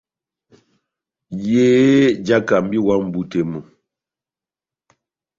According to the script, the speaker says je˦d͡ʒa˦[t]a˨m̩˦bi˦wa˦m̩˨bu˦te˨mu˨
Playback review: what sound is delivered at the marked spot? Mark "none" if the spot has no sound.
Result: k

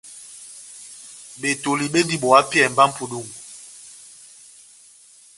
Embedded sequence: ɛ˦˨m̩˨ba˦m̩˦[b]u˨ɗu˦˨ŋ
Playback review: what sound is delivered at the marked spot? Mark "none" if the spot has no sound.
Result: p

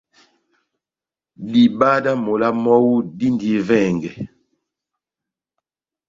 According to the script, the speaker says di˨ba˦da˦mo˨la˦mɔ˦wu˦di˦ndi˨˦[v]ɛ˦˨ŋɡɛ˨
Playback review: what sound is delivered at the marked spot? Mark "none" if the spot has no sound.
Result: v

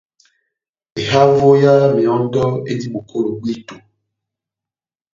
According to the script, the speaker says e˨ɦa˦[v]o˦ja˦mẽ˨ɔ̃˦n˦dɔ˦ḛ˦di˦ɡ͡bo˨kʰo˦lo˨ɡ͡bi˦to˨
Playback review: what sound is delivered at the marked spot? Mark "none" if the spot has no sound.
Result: v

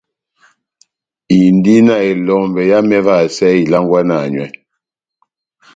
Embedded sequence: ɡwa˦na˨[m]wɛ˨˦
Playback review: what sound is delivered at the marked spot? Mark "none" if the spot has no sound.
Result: ɲ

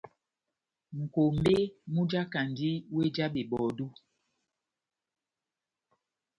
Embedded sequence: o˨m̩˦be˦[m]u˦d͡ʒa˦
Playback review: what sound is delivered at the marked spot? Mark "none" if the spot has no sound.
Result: m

